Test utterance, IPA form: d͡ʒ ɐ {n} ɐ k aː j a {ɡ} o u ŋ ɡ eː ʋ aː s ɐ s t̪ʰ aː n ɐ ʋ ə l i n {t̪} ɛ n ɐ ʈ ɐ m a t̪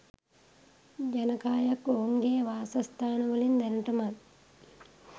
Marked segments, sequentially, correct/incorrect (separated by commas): correct, incorrect, incorrect